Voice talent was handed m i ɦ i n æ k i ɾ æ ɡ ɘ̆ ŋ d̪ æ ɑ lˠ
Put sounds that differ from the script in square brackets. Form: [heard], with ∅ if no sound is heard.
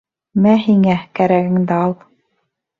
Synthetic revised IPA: m [æ] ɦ i [ŋ] æ k [æ] ɾ æ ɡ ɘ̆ ŋ d̪ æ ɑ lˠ

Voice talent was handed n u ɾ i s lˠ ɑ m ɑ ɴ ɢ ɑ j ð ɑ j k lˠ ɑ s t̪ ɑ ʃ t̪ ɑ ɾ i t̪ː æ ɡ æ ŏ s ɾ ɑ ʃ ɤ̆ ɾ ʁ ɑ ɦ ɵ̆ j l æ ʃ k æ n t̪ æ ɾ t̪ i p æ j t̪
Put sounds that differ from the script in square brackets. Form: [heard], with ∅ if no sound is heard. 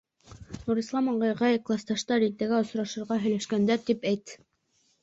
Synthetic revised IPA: n u ɾ i s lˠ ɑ m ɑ ɴ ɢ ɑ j [ʁ] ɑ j k lˠ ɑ s t̪ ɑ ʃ t̪ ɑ ɾ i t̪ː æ ɡ æ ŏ s ɾ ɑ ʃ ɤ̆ ɾ ʁ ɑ ɦ ɵ̆ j l æ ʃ k æ n [d̪] æ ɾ t̪ i p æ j t̪

